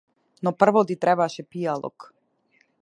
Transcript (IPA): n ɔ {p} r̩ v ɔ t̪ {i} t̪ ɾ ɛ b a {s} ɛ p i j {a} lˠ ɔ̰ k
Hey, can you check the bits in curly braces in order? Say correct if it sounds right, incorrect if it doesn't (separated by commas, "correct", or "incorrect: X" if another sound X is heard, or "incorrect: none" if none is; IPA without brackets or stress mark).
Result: correct, correct, incorrect: ʃ, correct